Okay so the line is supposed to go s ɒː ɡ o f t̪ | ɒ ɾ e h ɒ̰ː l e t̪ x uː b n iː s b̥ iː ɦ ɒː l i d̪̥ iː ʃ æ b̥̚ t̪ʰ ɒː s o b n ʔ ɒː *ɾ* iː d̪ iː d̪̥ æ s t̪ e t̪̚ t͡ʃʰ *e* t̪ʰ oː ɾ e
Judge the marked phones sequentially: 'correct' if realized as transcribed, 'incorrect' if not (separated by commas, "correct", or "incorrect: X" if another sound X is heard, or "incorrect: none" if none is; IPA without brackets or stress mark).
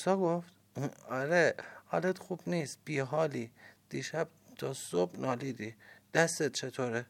incorrect: l, correct